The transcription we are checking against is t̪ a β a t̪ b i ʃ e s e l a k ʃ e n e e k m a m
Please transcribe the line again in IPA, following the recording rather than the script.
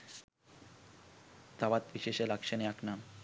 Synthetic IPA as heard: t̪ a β a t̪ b i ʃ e ʃ e l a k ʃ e n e a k n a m